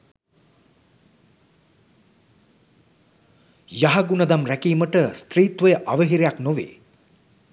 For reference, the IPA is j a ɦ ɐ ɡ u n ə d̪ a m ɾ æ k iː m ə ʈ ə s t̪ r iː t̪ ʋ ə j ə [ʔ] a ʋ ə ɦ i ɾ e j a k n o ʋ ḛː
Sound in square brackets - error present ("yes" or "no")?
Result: no